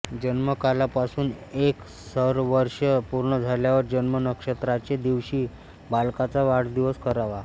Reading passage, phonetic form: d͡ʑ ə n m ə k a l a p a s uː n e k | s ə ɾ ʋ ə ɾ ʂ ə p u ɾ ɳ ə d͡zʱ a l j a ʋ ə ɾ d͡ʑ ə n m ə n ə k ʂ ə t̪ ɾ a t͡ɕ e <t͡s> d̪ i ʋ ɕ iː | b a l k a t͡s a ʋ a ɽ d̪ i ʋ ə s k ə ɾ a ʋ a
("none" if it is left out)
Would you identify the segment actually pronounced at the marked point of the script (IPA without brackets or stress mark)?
none